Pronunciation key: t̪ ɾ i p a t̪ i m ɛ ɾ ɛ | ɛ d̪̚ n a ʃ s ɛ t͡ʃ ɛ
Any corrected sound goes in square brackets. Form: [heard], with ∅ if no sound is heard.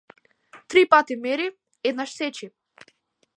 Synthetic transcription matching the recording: t̪ ɾ i p a t̪ i m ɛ ɾ [i] | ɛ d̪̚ n a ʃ s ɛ t͡ʃ [i]